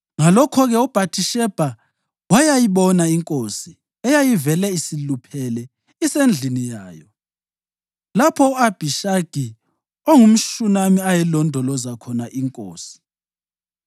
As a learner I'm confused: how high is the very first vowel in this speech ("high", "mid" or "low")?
low